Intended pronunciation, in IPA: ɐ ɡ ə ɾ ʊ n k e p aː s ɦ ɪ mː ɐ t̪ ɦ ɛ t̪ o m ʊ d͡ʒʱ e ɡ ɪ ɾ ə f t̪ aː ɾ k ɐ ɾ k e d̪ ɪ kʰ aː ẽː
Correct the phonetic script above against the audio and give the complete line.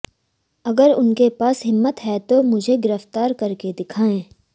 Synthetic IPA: ɐ ɡ ə ɾ ʊ n k e p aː s ɦ ɪ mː ə t̪ ɦ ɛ t̪ o m ʊ d͡ʒʱ e ɡ ɪ ɾ ə f t̪ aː ɾ k ɐ ɾ k e d̪ ɪ kʰ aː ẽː